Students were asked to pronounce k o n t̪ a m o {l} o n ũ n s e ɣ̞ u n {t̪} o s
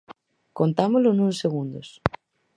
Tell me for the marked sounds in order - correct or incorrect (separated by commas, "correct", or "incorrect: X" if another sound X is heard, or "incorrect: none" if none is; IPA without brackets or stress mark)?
correct, incorrect: d̪